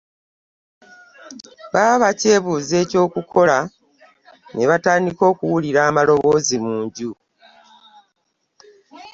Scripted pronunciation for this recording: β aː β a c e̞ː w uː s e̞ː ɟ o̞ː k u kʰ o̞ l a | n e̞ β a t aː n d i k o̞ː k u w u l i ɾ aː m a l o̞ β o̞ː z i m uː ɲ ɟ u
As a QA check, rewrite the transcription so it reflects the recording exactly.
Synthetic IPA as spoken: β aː β a c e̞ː β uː z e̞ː c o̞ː k u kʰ o̞ l a | n e̞ β a t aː n d i k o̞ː k u w u l i ɾ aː m a l o̞ β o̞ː z i m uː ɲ ɟ u